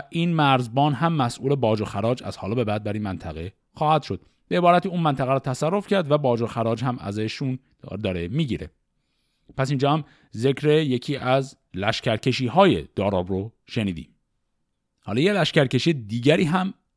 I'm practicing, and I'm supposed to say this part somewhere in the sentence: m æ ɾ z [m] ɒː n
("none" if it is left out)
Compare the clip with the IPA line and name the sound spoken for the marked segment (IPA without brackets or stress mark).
b